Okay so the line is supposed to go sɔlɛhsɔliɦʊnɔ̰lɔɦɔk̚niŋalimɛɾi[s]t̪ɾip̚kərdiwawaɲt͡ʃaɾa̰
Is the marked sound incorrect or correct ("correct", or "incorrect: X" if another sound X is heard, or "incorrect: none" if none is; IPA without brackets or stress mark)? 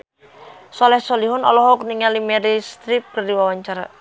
correct